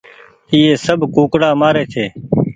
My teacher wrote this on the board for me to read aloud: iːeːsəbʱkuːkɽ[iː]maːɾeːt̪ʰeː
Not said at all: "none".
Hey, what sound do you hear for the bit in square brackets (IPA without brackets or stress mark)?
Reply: aː